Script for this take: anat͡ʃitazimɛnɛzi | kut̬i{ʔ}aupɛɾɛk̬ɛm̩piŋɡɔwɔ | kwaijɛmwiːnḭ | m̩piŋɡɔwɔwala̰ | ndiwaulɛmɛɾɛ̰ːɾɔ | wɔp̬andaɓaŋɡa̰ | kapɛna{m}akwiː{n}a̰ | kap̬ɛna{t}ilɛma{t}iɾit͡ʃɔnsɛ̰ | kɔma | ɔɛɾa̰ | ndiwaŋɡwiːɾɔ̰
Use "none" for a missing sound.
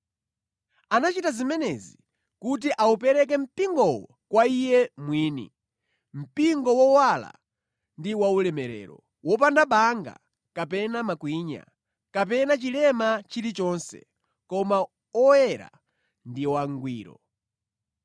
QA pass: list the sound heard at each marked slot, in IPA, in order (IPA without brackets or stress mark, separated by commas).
ʔ, m, ɲ, t͡ʃ, t͡ʃ